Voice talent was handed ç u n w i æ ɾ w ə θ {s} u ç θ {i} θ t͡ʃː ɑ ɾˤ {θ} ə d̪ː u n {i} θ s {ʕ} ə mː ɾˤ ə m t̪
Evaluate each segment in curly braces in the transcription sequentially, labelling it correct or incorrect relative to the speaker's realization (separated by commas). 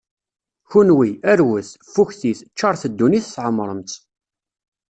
incorrect, correct, correct, correct, correct